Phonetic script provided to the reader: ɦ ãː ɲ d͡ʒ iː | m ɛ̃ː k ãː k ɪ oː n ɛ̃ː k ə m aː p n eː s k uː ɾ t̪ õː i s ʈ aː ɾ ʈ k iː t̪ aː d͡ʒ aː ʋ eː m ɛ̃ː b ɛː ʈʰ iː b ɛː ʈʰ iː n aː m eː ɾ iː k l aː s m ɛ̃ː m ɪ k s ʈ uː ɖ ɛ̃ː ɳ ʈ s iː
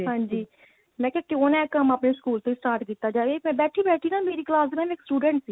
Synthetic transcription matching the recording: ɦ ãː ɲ d͡ʒ iː | m ɛ̃ː k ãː k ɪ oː n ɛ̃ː k ə m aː p n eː s k uː l t̪ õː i s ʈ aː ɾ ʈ k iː t̪ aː d͡ʒ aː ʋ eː m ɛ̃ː b ɛː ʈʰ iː b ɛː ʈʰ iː n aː m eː ɾ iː k l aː s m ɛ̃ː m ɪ k s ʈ uː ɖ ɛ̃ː ɳ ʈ s iː